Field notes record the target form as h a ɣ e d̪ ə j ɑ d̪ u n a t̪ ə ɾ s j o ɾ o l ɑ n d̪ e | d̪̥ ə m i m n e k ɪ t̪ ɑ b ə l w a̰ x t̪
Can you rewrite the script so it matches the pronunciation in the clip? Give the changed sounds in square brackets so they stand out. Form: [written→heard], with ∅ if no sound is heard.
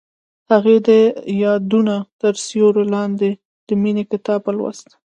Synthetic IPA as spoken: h a ɣ e d̪ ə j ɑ d̪ u n a t̪ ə ɾ s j o ɾ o l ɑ n d̪ e | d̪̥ ə m i [m→∅] n e k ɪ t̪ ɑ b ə l w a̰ [x→s] t̪